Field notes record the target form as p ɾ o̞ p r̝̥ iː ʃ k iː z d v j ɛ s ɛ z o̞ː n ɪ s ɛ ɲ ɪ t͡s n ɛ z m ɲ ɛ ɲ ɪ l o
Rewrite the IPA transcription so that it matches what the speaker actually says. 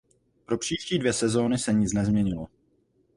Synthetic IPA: p ɾ o̞ p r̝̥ iː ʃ c iː d v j ɛ s ɛ z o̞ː n ɪ s ɛ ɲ ɪ t͡s n ɛ z m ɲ ɛ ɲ ɪ l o